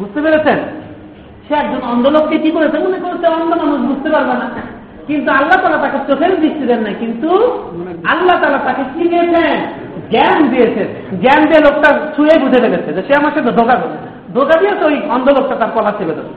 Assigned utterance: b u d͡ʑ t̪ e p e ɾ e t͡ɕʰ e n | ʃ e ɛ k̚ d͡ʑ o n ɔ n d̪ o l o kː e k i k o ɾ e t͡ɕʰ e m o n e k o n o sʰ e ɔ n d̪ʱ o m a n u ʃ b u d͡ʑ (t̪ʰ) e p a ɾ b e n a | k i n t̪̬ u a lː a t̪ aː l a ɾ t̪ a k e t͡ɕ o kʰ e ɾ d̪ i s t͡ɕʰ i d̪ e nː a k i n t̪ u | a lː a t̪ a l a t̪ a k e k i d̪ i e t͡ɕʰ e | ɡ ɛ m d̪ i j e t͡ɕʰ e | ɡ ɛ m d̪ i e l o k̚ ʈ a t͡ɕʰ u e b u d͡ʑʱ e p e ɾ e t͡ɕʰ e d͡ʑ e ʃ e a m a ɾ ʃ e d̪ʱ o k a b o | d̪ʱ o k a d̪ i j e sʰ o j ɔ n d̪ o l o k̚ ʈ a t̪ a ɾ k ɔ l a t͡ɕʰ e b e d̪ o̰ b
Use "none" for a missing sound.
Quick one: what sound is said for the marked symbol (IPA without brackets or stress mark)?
t̪